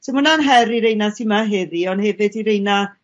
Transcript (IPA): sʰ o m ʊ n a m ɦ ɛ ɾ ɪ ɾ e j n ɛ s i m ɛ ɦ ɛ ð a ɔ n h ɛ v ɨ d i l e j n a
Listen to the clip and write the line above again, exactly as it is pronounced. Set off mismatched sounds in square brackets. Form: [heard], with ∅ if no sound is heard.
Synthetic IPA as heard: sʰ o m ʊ n a [n] ɦ ɛ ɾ [i] ɾ e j n [a] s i m [a] ɦ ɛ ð [i] ɔ n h ɛ v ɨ d i [ɾ] e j n a